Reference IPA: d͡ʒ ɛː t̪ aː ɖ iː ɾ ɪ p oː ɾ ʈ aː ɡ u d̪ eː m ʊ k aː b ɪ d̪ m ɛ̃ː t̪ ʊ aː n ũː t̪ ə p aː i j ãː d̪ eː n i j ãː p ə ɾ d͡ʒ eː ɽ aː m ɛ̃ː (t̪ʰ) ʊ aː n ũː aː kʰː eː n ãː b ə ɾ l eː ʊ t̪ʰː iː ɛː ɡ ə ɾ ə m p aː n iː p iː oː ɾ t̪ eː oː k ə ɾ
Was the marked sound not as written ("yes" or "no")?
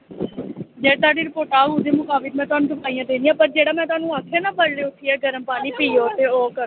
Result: yes